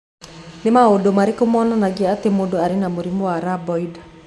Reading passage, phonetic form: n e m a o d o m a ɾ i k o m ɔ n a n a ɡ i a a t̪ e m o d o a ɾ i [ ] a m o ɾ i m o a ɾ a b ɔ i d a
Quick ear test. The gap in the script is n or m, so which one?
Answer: n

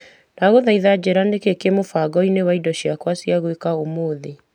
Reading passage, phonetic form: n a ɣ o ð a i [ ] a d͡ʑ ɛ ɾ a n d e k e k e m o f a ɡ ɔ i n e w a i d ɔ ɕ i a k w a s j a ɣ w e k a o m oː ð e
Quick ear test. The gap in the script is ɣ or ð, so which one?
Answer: ð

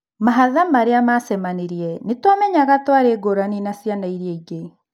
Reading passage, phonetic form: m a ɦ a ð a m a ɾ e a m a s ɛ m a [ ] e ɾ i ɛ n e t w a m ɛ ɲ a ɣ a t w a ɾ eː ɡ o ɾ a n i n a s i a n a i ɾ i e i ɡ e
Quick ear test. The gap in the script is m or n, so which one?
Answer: n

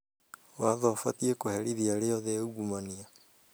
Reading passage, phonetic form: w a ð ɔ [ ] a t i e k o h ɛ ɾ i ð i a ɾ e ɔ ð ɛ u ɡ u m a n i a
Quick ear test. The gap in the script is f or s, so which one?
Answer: f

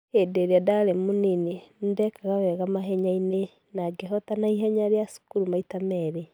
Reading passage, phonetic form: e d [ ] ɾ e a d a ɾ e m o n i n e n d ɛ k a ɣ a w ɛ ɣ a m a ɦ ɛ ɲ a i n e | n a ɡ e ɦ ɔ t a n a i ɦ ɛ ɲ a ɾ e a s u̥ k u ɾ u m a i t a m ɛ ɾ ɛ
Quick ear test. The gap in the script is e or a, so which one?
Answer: e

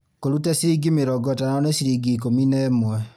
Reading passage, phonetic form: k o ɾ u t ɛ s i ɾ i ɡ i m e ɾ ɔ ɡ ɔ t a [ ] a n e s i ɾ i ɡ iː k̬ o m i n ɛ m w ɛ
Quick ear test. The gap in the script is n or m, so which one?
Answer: n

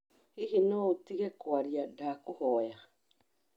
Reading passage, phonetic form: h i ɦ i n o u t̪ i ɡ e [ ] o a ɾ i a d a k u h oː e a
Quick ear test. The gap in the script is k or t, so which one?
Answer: k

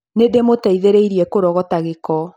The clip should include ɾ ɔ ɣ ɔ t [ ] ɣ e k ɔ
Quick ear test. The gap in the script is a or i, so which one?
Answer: a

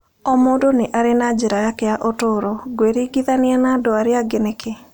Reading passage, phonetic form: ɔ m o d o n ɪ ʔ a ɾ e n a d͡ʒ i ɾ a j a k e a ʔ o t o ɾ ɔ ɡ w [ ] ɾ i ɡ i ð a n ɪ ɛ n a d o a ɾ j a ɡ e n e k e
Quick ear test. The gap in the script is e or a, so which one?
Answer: e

